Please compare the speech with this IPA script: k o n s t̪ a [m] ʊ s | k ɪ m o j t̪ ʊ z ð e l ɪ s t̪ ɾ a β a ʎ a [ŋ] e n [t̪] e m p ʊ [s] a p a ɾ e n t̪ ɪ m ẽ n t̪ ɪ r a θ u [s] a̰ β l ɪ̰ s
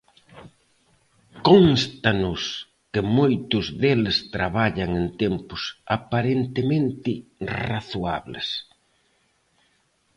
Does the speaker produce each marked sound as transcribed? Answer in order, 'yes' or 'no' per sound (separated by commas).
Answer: no, yes, yes, yes, no